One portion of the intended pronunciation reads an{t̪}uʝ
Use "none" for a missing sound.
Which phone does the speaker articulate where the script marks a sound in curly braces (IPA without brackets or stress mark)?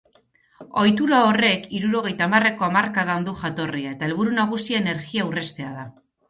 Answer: d̪